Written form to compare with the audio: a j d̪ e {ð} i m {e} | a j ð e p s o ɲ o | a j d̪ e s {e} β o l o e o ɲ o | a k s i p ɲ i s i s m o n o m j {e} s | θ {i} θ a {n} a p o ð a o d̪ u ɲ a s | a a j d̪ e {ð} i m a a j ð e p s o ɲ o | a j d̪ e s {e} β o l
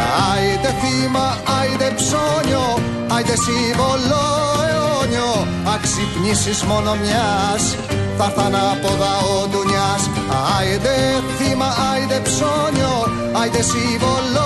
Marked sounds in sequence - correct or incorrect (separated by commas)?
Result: incorrect, incorrect, incorrect, incorrect, incorrect, correct, incorrect, incorrect